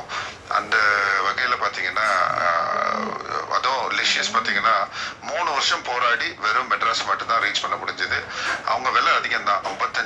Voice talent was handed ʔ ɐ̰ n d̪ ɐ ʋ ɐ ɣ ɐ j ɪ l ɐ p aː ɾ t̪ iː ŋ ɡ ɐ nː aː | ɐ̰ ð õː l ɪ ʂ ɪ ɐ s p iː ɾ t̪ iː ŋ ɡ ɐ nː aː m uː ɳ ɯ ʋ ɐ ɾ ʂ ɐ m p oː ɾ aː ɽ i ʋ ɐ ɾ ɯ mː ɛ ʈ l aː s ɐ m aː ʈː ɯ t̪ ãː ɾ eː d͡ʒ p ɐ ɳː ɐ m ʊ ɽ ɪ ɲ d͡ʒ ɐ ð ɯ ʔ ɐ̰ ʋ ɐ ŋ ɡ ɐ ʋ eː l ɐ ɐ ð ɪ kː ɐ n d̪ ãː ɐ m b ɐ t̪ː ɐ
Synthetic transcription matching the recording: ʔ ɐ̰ n d̪ ɐ ʋ ɐ ɣ ɐ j ɪ l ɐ p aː ɾ t̪ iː ŋ ɡ ɐ nː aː | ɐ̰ ð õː l ɪ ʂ ɪ ɐ s p aː ɾ t̪ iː ŋ ɡ ɐ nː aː m uː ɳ ɯ ʋ ɐ ɾ ʂ ɐ m p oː ɾ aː ɽ i ʋ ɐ ɾ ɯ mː ɛ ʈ ɾ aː s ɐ m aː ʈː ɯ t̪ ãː ɾ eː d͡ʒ p ɐ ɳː ɐ m ʊ ɽ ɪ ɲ d͡ʒ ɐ ð ɯ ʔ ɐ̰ ʋ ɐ ŋ ɡ ɐ ʋ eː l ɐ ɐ ð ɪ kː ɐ n d̪ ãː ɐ m b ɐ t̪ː ɐ